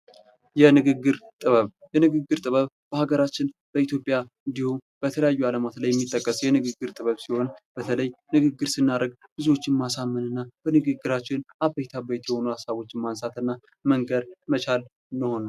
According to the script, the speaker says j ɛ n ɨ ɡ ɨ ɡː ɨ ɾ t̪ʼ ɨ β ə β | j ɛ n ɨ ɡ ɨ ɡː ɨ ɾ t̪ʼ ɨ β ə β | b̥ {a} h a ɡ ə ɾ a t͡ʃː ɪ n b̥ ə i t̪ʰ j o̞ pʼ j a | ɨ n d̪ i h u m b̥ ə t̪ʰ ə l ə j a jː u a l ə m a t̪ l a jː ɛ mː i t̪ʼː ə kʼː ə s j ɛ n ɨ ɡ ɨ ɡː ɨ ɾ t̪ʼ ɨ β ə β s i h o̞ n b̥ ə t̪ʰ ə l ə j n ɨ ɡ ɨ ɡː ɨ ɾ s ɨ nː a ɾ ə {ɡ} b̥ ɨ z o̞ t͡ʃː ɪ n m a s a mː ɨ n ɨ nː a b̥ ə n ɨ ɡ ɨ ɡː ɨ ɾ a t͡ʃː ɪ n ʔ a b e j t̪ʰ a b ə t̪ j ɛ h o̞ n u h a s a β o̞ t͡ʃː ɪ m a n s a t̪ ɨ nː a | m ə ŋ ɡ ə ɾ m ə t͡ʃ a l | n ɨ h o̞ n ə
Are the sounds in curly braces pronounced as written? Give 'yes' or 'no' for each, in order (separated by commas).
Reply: no, yes